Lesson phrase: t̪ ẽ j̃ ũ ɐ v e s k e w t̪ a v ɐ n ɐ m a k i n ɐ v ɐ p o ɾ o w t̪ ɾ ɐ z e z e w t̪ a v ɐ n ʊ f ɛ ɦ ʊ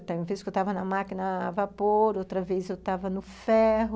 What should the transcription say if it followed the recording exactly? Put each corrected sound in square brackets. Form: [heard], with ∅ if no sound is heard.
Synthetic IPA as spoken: t̪ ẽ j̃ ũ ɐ v e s k e w t̪ a v ɐ n ɐ m a k i n ɐ v [a] p o ɾ o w t̪ ɾ ɐ [v] e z e w t̪ a v ɐ n ʊ f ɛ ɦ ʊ